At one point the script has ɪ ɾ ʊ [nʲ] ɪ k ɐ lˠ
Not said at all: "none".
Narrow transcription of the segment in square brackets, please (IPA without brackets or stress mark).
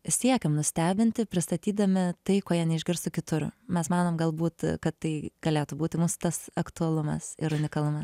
nʲ